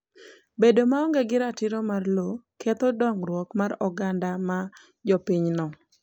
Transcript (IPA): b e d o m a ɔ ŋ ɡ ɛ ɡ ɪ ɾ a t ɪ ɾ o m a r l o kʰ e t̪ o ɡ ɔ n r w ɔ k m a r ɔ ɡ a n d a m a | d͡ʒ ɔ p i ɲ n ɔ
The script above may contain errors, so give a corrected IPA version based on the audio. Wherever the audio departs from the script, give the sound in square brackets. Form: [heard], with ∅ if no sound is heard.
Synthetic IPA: b e d o m a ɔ ŋ ɡ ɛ ɡ ɪ ɾ a t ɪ ɾ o m a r l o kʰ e t̪ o [d] ɔ [ŋ] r w ɔ k m a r ɔ ɡ a n d a m a | d͡ʒ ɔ p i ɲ n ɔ